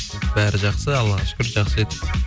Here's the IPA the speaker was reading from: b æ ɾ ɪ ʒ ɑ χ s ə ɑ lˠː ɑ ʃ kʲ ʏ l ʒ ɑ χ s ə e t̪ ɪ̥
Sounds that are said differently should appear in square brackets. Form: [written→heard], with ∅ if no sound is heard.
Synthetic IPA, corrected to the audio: b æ ɾ ɪ ʒ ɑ χ s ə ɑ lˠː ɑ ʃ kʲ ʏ [l→ɾ] ʒ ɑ χ s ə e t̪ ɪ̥

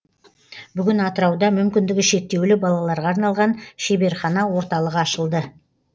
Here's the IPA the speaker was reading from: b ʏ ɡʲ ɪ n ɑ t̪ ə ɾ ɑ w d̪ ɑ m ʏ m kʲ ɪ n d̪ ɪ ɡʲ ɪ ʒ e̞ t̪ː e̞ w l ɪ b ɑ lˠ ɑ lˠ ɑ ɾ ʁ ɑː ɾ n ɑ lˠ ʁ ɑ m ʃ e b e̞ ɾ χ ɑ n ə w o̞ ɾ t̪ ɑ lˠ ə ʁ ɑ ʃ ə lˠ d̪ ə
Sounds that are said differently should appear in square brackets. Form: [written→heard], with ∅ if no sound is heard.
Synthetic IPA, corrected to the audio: b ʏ ɡʲ ɪ n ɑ t̪ ə ɾ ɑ w d̪ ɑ m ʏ m kʲ ɪ n d̪ ɪ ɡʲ ɪ [ʒ→ʃ] e̞ t̪ː e̞ w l ɪ b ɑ lˠ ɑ lˠ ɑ ɾ ʁ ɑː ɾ n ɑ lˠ ʁ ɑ [m→n] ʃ e b e̞ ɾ χ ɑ n [ə→ɑ] w o̞ ɾ t̪ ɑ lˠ ə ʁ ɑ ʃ ə lˠ d̪ ə

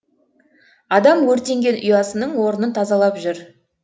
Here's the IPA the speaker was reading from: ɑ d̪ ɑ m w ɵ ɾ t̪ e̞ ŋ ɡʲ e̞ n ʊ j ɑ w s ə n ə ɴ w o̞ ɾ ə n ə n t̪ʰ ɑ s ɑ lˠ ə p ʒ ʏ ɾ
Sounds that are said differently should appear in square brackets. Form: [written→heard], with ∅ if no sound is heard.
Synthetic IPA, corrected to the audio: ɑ d̪ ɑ m w ɵ ɾ t̪ e̞ ŋ ɡʲ e̞ n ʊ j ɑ [w→∅] s ə n ə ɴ w o̞ ɾ ə n ə n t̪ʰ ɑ [s→z] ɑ lˠ [ə→ɑ] p ʒ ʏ ɾ

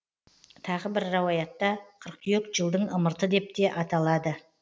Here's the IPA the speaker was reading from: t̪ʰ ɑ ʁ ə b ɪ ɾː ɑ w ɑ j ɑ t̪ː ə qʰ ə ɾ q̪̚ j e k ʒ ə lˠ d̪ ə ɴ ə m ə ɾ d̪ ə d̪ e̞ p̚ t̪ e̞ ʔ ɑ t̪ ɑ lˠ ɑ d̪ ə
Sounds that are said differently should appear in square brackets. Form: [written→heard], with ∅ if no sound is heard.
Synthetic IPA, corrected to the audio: t̪ʰ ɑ ʁ ə b ɪ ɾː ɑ w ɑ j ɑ t̪ː [ə→ɑ] qʰ ə ɾ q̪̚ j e k ʒ ə lˠ d̪ ə ɴ ə m ə ɾ [d̪→t̪] ə d̪ e̞ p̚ t̪ e̞ ʔ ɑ t̪ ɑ lˠ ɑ d̪ ə

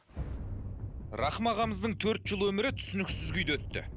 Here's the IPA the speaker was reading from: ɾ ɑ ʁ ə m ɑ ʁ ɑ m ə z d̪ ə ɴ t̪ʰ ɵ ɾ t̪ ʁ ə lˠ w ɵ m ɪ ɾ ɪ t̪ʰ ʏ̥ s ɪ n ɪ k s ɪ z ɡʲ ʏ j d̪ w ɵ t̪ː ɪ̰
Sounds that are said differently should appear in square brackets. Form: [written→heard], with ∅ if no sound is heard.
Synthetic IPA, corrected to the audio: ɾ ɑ [ʁ→χ] ə m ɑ ʁ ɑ m ə z d̪ ə ɴ t̪ʰ ɵ ɾ t̪ [ʁ→ʒ] ə lˠ w ɵ m ɪ ɾ ɪ t̪ʰ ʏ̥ s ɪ n ɪ k s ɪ z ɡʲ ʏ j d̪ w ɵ t̪ː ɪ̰

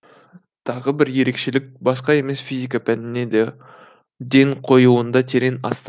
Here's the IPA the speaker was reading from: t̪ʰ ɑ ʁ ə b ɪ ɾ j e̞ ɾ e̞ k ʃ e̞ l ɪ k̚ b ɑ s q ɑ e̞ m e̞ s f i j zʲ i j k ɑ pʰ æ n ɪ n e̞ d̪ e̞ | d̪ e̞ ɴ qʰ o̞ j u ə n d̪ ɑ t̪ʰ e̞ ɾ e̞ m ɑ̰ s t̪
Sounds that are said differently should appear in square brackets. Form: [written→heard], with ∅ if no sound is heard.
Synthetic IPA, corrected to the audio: t̪ʰ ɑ ʁ ə b ɪ ɾ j e̞ ɾ e̞ k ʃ e̞ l ɪ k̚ b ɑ s q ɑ e̞ m e̞ s f i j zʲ i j k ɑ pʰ æ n ɪ n e̞ d̪ e̞ | d̪ e̞ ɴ qʰ o̞ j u ə n d̪ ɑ t̪ʰ e̞ ɾ e̞ [m→n] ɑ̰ s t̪

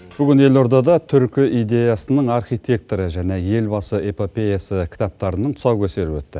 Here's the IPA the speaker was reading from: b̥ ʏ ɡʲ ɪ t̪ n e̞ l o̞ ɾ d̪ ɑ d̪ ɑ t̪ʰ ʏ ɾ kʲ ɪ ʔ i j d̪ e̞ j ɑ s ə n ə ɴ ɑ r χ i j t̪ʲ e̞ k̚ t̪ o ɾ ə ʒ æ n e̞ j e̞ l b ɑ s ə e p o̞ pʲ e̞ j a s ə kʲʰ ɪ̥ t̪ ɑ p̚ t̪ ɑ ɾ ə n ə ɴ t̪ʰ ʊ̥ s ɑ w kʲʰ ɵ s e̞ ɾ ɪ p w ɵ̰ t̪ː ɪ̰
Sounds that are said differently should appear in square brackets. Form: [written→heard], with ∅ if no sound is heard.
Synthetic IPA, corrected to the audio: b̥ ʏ ɡʲ ɪ [t̪→∅] n e̞ l o̞ ɾ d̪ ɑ d̪ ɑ t̪ʰ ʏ ɾ kʲ ɪ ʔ i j d̪ e̞ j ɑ s ə n ə ɴ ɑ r χ i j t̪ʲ e̞ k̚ t̪ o ɾ ə ʒ æ n e̞ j e̞ l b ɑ s ə e p o̞ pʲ e̞ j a s ə kʲʰ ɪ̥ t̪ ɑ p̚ t̪ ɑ ɾ ə n ə ɴ t̪ʰ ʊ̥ s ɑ w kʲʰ ɵ s e̞ ɾ ɪ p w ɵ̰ t̪ː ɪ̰

